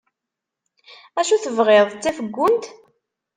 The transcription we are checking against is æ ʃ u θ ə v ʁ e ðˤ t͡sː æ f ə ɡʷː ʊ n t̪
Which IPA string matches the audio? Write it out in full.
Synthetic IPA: æ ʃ u θ ə v ʁ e ðˤ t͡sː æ f ə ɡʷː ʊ n t̪